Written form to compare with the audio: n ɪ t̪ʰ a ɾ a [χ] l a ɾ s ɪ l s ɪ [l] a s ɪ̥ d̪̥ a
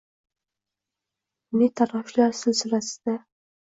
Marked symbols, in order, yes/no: no, yes

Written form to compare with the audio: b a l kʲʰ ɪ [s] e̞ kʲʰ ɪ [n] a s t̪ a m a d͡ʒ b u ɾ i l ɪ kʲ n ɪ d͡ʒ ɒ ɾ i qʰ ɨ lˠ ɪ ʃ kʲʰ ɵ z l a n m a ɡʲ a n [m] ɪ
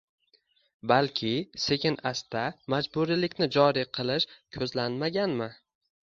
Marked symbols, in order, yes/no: yes, yes, yes

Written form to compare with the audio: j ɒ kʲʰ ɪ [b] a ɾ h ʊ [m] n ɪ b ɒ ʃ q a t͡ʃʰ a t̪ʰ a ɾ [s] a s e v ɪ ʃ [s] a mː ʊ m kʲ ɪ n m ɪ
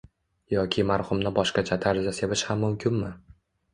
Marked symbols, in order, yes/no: no, yes, no, no

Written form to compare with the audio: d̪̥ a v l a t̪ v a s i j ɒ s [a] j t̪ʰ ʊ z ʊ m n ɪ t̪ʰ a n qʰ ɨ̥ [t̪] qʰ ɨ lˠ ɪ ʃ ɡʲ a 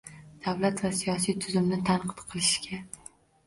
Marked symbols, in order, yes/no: no, yes

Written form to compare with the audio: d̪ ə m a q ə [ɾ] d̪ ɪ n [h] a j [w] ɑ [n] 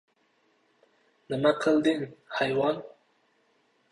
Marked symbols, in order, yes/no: no, yes, yes, yes

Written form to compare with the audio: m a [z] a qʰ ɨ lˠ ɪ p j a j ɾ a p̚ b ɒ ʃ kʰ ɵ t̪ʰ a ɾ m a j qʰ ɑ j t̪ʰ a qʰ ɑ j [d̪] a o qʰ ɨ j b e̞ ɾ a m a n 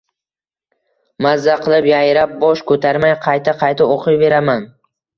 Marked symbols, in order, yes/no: no, no

